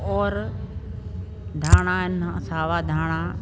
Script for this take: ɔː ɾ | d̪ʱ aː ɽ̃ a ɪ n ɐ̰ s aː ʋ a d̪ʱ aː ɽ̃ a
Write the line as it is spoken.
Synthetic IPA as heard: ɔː ɾ | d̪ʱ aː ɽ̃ a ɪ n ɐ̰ s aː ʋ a d̪ʱ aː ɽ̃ a